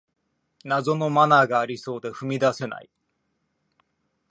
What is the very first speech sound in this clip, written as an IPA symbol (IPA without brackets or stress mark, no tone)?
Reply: n